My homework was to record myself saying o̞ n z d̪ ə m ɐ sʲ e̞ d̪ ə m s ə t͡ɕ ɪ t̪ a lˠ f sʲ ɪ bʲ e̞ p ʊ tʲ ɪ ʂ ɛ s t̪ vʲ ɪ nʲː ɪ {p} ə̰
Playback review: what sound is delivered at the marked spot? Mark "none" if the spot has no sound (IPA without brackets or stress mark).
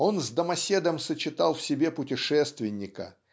k